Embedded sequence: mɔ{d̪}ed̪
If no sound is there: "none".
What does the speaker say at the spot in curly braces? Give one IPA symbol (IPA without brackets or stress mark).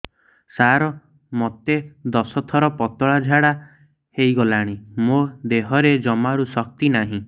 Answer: t̪